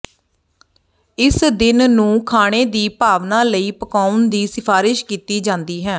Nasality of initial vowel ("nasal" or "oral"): oral